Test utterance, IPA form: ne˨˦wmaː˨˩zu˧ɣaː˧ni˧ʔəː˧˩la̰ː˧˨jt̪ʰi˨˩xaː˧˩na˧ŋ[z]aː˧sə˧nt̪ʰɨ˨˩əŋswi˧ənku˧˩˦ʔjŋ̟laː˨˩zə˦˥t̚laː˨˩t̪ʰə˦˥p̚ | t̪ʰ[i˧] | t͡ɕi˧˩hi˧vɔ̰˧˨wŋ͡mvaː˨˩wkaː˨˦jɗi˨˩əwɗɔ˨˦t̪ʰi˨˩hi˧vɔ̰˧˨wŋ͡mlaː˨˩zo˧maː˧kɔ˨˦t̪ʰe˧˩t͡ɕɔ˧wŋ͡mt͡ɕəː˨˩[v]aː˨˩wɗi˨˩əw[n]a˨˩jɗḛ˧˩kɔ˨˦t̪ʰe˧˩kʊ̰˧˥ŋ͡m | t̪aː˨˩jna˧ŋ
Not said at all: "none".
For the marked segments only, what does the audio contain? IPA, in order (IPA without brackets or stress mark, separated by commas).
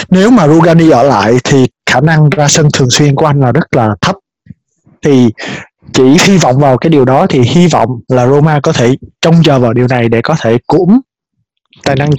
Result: z, i˨˩, v, n